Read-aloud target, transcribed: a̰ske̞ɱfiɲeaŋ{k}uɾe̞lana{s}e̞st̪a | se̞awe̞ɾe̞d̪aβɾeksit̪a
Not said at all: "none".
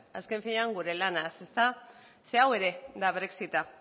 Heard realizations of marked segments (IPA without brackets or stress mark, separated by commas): ɡ, s